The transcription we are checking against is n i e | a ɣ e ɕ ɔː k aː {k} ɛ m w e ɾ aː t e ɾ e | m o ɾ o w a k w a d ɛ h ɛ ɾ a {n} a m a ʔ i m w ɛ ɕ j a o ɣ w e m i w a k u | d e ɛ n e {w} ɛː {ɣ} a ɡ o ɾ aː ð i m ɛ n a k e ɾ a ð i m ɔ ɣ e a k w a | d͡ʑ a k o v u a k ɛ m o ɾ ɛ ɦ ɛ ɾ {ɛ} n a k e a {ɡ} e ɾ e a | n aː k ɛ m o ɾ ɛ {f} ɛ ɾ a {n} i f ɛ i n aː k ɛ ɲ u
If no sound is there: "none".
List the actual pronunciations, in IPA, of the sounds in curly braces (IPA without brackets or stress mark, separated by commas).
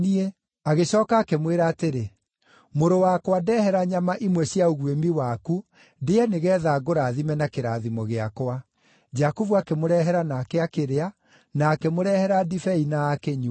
k, ɲ, ɣ, ð, a, k, h, d